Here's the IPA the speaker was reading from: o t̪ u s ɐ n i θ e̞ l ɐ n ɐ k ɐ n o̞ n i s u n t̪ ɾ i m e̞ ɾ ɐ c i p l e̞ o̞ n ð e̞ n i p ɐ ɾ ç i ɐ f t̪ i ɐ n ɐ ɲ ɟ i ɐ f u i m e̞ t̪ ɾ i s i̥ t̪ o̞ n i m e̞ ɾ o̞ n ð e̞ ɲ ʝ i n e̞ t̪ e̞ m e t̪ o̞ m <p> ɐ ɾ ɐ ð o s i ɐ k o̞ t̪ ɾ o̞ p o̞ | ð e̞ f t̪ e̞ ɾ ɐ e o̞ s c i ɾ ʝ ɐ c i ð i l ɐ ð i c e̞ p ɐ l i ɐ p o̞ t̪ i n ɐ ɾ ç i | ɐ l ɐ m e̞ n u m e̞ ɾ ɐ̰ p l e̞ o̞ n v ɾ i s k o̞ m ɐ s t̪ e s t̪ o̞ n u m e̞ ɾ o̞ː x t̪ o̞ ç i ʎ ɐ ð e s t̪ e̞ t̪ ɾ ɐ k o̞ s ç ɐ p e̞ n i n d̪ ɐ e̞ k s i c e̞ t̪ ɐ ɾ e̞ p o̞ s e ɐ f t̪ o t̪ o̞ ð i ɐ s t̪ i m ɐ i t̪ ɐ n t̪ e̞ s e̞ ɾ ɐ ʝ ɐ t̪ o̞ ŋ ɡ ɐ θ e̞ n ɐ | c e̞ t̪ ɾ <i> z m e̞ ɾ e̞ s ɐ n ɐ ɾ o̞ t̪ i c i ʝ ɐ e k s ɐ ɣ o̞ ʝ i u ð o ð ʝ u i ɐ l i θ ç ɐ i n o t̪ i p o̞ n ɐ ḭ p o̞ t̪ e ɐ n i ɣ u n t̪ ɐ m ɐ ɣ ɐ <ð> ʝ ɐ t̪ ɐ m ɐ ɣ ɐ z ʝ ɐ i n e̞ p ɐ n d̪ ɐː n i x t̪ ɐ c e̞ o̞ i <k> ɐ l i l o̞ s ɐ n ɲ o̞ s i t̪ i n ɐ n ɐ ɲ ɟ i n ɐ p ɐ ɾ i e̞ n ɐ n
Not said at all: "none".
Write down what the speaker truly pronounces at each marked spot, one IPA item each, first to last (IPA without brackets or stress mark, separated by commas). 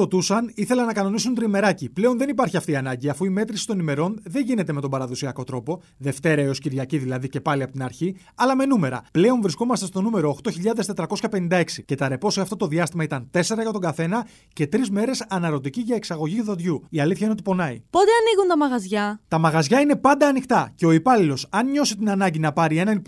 b, i, z, p